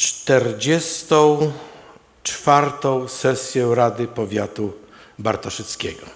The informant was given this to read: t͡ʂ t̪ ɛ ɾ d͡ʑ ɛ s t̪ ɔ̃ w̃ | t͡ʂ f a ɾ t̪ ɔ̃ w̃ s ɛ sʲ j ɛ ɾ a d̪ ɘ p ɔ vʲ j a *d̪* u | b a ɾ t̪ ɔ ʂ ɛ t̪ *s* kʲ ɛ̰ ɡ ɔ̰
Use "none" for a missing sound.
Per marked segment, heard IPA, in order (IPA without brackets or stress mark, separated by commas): t̪, s